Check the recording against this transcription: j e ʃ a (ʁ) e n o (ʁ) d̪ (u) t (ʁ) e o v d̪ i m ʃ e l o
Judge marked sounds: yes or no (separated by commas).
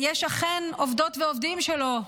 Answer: no, no, no, no